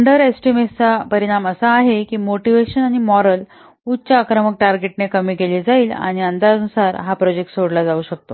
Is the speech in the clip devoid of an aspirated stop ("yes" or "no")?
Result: yes